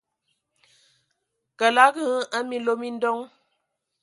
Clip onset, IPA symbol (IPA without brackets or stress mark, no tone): k